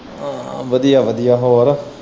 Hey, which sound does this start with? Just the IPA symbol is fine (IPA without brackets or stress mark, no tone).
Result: ʋ